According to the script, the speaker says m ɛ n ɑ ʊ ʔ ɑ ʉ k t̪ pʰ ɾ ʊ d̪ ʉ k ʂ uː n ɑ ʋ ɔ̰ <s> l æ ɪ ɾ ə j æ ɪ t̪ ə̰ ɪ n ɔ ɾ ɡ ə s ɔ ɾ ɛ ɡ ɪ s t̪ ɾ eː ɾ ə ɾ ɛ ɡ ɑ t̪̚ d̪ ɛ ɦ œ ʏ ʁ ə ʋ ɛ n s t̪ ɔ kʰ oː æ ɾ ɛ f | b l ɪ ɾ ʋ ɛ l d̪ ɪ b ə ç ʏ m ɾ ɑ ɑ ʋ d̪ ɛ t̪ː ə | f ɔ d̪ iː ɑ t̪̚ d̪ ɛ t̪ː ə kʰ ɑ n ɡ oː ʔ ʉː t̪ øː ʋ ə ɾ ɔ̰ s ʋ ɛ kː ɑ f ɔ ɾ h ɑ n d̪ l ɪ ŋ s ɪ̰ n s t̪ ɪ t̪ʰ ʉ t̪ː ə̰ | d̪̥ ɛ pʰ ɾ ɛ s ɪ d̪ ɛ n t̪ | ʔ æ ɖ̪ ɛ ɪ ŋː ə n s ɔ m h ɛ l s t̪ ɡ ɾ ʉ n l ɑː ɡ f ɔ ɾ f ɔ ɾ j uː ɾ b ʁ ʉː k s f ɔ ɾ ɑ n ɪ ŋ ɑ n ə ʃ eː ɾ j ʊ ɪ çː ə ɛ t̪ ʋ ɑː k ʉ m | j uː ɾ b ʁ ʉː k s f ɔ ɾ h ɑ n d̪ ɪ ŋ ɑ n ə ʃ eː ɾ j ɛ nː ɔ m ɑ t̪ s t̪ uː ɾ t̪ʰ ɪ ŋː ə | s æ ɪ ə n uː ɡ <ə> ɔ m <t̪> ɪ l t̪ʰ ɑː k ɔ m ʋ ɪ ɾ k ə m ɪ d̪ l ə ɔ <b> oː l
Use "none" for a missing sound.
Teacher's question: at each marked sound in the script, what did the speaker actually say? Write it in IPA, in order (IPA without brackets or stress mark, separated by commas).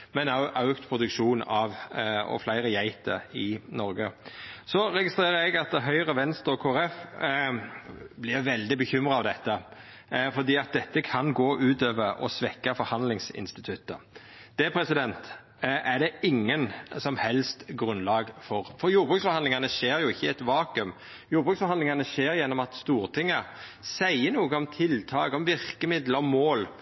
f, ə, t̪ʰ, m